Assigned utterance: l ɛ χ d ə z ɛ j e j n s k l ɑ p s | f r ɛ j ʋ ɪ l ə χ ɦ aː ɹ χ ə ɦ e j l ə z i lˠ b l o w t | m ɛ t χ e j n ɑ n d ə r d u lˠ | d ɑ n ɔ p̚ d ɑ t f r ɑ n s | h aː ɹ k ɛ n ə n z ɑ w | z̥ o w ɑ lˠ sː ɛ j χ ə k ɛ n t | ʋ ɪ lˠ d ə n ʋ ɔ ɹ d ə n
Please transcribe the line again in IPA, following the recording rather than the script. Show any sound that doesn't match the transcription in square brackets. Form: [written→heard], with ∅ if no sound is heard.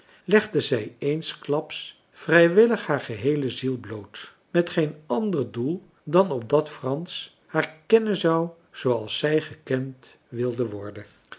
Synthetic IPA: l ɛ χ d ə z ɛ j e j n s k l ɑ p s | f r ɛ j ʋ ɪ l ə χ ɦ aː ɹ χ ə ɦ e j l ə z i lˠ b l o w t | m ɛ t χ e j n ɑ n d ə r d u lˠ | d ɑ n ɔ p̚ d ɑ t f r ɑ n s | h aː ɹ k ɛ n ə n z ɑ w | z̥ o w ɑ lˠ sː ɛ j χ ə k ɛ n t | ʋ ɪ lˠ d ə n ʋ ɔ ɹ d ə n